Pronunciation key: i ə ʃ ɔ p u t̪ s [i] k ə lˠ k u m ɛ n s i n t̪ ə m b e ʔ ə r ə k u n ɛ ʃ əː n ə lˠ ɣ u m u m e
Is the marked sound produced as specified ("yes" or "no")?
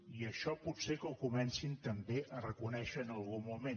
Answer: no